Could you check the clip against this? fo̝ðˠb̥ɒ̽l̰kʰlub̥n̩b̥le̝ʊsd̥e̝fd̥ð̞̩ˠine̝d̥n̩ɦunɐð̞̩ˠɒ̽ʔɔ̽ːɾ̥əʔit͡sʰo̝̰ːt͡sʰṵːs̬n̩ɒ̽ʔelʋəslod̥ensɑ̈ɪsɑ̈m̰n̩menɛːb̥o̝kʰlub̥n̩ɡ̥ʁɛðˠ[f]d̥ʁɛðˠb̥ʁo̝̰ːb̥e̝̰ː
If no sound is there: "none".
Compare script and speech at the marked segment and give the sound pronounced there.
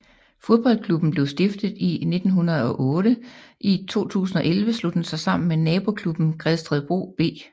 s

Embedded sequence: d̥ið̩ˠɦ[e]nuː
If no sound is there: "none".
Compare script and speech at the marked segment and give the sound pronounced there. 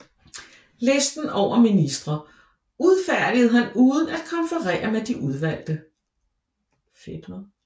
æ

